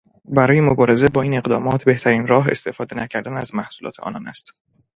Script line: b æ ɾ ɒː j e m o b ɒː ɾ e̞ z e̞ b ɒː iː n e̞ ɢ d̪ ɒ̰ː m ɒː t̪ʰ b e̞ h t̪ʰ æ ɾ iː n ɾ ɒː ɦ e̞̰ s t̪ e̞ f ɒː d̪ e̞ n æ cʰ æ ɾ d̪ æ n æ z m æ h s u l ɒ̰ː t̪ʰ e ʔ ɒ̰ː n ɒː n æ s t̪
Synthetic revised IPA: b æ ɾ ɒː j e m o b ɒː ɾ e̞ z e̞ b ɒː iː n e̞ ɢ d̪ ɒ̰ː m ɒː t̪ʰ b e̞ h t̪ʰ æ ɾ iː n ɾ ɒː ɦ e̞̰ s t̪ e̞ f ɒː d̪ e̞ n æ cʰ æ ɾ d̪ æ n æ z m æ h s u l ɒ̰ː t̪ʰ e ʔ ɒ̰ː n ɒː n æ s t̪